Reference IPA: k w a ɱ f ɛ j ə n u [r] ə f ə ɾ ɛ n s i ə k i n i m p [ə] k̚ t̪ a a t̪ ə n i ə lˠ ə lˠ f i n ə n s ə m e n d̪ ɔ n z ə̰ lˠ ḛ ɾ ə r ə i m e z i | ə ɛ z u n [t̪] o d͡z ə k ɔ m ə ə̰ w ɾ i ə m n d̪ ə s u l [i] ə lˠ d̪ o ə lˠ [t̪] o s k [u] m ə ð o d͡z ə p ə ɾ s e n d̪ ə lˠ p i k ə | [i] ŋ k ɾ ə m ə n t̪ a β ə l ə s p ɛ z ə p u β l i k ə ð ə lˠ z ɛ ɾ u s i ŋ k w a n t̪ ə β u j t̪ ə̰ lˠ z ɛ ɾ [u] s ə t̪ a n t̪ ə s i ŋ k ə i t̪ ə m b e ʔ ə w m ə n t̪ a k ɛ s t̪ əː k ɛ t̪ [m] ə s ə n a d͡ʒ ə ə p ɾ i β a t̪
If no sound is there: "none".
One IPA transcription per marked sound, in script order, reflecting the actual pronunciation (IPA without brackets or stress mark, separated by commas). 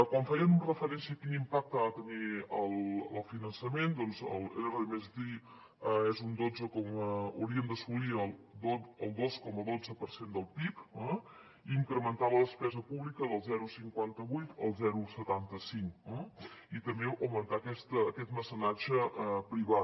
r, a, d̪, i, d̪, ɔ, i, u, m